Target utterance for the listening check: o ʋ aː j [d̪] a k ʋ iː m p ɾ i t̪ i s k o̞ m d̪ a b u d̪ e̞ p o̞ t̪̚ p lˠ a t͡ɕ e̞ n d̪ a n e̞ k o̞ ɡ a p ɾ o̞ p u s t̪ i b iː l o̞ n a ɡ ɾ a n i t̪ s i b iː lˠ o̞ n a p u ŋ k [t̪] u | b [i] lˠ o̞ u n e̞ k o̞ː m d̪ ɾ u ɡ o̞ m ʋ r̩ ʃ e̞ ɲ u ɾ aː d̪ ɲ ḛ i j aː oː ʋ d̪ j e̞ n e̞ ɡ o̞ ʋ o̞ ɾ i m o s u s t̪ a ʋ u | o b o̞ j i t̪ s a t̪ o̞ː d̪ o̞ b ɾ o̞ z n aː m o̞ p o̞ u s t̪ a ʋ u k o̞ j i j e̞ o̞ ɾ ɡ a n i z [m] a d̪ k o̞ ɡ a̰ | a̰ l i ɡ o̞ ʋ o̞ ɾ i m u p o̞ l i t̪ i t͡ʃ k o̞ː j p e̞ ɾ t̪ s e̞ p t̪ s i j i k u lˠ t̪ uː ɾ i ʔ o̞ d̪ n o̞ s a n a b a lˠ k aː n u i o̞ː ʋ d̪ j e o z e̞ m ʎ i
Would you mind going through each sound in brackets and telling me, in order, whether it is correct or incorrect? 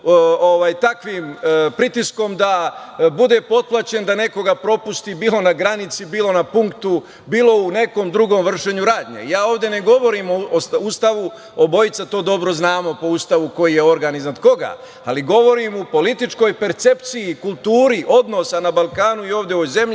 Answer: incorrect: t̪, correct, incorrect: iː, incorrect: n

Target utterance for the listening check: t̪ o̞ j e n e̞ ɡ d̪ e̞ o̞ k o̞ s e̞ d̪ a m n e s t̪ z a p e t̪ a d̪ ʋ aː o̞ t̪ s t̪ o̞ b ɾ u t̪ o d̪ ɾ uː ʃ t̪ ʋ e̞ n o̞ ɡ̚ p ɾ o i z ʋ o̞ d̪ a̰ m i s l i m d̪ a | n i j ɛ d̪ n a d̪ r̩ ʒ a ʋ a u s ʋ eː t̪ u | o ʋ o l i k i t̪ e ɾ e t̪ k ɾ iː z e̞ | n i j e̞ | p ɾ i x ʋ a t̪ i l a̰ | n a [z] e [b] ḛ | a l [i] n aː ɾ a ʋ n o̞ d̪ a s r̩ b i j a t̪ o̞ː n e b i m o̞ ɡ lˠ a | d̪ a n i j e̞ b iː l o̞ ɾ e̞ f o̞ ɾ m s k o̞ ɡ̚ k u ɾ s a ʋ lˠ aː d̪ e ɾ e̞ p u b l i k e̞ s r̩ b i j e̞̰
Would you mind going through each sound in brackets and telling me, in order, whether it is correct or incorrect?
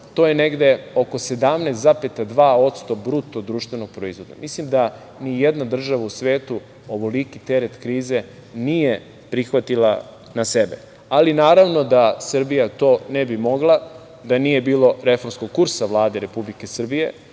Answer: incorrect: s, correct, correct

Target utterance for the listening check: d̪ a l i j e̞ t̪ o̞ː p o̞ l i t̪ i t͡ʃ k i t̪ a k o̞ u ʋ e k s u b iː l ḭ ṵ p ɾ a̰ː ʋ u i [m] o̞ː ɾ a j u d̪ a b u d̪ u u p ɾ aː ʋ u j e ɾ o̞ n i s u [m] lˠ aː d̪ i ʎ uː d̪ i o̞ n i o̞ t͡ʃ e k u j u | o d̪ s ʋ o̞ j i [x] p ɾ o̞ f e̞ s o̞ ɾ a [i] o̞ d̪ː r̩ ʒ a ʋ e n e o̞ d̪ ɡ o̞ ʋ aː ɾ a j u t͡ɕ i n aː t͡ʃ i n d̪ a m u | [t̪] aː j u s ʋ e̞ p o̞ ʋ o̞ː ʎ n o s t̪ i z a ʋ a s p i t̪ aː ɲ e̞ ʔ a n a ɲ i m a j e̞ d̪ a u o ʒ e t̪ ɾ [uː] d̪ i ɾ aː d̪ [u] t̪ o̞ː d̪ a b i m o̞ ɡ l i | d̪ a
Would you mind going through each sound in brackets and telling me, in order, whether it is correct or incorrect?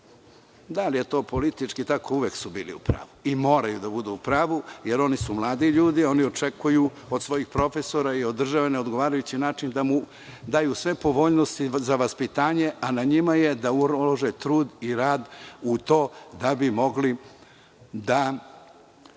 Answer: correct, correct, correct, correct, incorrect: d̪, correct, correct

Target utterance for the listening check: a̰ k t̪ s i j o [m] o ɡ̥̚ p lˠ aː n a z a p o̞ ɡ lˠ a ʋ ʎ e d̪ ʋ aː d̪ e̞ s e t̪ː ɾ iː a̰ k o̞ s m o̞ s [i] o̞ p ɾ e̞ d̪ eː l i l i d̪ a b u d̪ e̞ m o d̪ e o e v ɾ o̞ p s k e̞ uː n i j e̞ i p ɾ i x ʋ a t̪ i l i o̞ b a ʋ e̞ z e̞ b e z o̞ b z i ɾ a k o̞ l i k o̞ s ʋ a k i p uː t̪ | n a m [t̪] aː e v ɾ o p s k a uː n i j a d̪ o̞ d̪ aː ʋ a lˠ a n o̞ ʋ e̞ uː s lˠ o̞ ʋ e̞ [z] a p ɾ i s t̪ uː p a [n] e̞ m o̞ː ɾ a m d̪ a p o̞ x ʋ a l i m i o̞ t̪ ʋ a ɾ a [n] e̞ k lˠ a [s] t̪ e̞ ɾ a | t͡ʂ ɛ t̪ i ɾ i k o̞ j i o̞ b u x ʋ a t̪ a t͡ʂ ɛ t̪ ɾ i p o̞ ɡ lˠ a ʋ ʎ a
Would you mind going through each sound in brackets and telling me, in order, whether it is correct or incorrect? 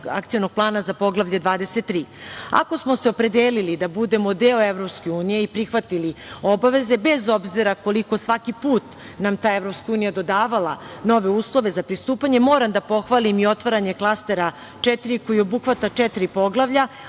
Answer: incorrect: n, incorrect: e, correct, correct, incorrect: ɲ, incorrect: ɲ, correct

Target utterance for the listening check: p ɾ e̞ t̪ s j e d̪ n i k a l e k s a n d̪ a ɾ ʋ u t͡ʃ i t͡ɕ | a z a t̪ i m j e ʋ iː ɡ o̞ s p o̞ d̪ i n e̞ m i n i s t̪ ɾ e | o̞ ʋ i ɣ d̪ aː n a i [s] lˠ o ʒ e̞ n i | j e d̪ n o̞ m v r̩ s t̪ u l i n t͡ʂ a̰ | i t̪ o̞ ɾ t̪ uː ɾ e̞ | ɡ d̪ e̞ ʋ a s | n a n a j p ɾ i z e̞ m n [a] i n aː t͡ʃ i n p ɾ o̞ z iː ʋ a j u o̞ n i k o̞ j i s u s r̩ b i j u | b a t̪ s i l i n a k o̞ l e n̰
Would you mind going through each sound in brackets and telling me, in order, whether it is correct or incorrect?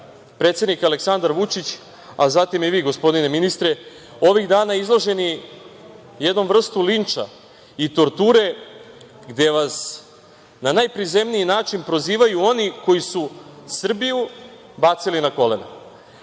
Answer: incorrect: z, incorrect: i

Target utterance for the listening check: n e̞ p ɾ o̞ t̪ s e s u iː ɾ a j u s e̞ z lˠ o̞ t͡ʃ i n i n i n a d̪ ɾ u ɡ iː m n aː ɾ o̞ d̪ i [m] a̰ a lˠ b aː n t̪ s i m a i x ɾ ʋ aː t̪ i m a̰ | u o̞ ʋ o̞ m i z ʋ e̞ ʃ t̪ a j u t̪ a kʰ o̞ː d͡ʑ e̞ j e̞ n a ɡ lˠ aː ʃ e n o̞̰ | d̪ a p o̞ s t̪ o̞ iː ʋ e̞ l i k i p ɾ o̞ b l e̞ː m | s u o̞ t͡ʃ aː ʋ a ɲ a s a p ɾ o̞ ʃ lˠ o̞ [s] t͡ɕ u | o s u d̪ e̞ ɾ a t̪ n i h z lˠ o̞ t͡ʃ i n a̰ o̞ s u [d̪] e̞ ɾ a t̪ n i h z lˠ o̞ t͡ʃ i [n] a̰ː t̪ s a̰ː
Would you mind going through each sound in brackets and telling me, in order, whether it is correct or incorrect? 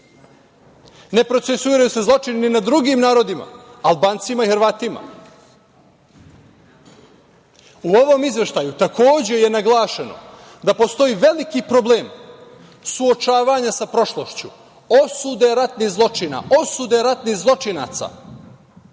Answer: correct, incorrect: ʃ, correct, correct

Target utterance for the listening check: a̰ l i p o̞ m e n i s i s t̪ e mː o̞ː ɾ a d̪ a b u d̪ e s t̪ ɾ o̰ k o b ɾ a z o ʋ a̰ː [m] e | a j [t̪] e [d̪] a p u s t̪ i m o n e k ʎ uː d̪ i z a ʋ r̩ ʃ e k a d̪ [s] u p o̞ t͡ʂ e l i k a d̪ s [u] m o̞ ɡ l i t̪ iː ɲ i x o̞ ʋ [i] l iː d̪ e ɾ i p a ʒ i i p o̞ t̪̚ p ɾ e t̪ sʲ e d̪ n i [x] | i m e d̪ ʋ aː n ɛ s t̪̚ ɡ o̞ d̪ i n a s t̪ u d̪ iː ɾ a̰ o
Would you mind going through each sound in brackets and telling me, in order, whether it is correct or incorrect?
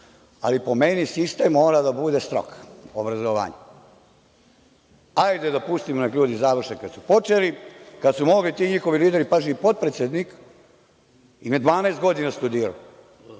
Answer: incorrect: ɲ, incorrect: d̪, correct, correct, correct, correct, incorrect: k

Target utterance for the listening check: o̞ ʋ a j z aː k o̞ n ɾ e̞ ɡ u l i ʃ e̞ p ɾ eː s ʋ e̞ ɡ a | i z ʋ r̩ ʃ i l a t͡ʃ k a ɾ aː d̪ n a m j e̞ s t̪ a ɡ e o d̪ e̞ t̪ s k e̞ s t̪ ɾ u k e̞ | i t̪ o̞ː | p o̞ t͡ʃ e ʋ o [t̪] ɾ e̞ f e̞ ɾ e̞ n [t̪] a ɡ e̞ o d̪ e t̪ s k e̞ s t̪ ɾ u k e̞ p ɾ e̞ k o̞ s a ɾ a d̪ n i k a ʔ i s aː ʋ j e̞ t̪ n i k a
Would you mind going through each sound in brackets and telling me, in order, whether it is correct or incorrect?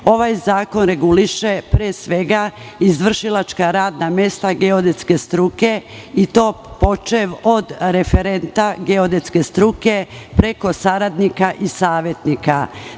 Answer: incorrect: d̪, correct

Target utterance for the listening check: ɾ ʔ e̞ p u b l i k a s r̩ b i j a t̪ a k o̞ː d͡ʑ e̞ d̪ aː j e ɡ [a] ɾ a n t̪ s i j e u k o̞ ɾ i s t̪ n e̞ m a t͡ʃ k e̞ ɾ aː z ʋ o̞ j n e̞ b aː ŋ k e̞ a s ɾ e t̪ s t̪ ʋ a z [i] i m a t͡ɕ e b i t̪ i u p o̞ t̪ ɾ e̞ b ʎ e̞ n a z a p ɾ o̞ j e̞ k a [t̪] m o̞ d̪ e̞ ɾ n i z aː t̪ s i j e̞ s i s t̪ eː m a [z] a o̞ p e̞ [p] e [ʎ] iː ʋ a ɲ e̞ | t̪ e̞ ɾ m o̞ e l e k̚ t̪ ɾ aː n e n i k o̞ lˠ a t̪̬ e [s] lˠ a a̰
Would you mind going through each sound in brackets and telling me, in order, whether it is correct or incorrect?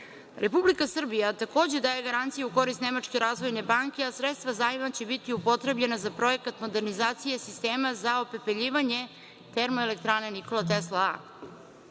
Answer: correct, incorrect: a, correct, correct, correct, correct, correct

